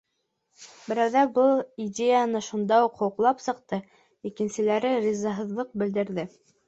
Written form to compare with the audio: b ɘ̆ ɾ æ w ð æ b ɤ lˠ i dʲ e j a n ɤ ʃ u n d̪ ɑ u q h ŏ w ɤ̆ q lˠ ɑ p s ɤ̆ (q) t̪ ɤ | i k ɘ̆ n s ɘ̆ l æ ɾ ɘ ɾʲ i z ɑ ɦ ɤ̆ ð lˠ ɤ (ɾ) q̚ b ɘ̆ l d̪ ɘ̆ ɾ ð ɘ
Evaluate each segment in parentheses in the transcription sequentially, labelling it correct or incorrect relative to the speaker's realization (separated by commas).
correct, incorrect